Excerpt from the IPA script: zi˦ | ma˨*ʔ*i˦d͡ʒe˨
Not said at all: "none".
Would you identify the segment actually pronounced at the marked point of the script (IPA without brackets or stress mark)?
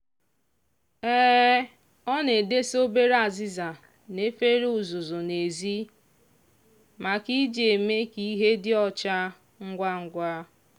k